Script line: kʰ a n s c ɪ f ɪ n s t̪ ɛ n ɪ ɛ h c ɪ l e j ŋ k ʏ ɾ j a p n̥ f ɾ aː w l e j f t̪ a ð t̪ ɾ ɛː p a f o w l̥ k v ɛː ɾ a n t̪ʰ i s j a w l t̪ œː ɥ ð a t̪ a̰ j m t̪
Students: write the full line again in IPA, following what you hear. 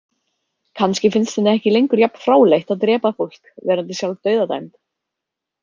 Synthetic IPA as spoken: kʰ a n s c ɪ f ɪ n s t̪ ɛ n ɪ ɛ h c ɪ l e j ŋ k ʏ ɾ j a p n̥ f ɾ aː w l e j h t̪ a ð t̪ ɾ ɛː p a f o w l̥ k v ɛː ɾ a n t̪ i s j a w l t̪ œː ɥ ð a t̪ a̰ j m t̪